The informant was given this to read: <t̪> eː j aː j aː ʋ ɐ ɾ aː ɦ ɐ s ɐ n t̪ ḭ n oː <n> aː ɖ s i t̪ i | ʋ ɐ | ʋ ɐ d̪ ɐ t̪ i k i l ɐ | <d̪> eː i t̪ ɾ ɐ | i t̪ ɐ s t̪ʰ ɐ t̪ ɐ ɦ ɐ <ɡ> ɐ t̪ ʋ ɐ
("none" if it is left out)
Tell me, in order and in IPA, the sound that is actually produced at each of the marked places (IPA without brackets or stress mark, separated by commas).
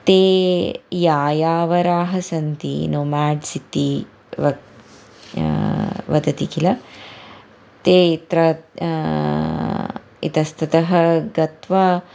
t̪, m, t̪, ɡ